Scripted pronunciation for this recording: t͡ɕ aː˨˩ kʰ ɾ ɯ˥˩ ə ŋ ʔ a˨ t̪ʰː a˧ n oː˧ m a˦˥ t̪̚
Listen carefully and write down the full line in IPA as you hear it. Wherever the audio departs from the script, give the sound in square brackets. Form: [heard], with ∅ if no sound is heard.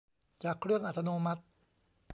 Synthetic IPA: t͡ɕ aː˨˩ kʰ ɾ ɯ˥˩ ə ŋ ʔ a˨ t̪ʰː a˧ n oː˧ m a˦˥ t̪̚